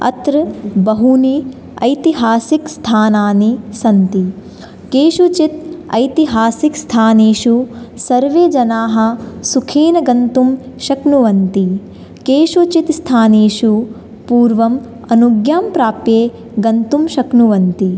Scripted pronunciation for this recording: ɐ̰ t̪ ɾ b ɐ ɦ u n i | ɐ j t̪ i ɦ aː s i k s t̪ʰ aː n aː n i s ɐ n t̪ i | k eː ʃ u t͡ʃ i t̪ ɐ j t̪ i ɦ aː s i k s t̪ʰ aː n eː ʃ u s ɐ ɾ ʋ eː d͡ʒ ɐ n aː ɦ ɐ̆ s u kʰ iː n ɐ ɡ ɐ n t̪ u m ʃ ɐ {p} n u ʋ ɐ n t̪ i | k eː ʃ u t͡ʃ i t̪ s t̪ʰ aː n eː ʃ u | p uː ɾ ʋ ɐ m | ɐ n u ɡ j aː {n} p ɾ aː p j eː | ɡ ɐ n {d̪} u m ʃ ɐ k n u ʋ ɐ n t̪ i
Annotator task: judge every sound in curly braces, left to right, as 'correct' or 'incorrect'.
incorrect: k, incorrect: m, incorrect: t̪

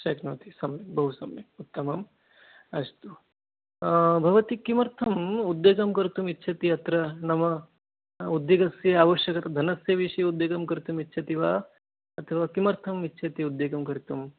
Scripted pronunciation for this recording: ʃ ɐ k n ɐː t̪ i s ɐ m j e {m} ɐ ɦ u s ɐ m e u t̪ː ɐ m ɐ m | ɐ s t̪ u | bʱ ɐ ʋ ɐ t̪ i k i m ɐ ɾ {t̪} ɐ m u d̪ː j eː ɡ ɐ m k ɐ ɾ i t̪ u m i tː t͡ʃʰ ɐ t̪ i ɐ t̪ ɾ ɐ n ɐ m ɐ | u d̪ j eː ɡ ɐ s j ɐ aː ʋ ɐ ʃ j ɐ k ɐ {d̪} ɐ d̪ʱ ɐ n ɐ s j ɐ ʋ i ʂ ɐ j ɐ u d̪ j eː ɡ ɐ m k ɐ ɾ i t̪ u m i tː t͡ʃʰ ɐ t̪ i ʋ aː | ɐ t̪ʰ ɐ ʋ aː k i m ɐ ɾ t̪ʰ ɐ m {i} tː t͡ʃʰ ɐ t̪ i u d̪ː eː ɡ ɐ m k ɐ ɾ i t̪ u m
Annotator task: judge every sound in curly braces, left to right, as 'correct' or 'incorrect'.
incorrect: b, incorrect: t̪ʰ, incorrect: t̪, correct

